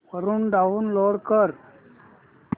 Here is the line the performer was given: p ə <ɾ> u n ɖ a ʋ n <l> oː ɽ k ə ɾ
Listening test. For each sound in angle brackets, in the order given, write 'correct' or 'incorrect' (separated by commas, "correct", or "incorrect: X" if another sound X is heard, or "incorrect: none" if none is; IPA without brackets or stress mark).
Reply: correct, correct